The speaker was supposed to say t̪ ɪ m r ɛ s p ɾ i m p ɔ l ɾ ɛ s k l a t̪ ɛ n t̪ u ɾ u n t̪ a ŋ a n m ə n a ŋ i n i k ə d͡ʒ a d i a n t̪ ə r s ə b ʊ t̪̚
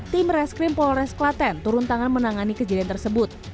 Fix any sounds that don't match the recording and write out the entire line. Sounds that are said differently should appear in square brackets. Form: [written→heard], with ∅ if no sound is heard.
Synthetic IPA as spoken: t̪ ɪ m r ɛ s [p→k] ɾ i m p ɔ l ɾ ɛ s k l a t̪ ɛ n t̪ u ɾ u n t̪ a ŋ a n m ə n a ŋ [i→a] n i k ə d͡ʒ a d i a n t̪ ə r s ə b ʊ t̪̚